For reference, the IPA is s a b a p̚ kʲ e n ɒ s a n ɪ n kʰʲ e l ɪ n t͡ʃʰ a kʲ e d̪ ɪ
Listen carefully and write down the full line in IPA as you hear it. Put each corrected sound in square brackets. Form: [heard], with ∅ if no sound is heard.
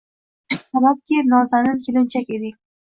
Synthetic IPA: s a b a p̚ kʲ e n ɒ [z] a n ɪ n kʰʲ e l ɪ n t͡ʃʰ a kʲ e d̪ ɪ